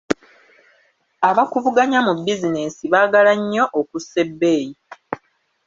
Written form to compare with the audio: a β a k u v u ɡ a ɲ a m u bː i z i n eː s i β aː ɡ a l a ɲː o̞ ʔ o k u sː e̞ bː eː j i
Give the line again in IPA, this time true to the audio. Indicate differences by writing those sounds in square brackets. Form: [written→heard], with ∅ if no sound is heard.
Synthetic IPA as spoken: a β a k u v u ɡ a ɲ a m u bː i z i n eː s i β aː ɡ a l a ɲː o̞ ʔ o k u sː e̞ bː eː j i